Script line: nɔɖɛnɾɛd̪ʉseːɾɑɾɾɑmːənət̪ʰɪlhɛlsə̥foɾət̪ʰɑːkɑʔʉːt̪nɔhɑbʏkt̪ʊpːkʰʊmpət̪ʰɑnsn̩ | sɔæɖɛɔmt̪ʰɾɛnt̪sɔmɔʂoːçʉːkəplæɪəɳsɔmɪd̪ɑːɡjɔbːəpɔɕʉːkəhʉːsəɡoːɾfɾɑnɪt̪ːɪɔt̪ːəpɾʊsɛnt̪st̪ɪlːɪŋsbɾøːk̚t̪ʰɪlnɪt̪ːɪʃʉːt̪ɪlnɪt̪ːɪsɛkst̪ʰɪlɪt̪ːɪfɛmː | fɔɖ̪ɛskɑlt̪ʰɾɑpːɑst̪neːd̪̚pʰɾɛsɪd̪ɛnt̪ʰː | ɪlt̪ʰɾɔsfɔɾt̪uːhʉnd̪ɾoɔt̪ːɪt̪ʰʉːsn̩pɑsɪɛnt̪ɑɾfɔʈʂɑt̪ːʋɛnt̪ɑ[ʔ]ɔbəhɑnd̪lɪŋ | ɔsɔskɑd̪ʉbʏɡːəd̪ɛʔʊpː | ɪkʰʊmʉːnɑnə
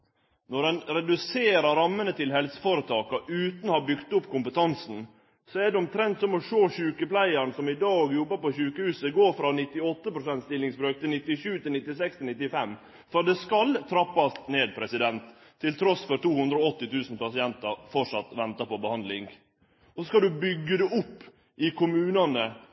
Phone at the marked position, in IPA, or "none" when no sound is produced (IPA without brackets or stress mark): p